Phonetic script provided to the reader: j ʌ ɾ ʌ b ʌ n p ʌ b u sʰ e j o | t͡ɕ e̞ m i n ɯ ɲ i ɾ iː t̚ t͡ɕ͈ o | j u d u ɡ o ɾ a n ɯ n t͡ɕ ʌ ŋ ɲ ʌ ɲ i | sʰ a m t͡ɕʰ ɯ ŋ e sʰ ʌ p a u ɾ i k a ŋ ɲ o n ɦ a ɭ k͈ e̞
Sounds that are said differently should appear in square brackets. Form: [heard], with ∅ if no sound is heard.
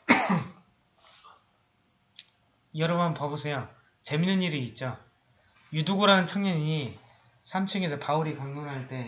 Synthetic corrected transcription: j ʌ ɾ ʌ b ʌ n p ʌ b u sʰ e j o | t͡ɕ e̞ m i n ɯ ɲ i ɾ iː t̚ t͡ɕ͈ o | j u d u ɡ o ɾ a n ɯ n [t͡ɕʰ] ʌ ŋ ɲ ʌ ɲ i | sʰ a m t͡ɕʰ ɯ ŋ e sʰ ʌ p a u ɾ i k a ŋ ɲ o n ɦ a ɭ [t͈] e̞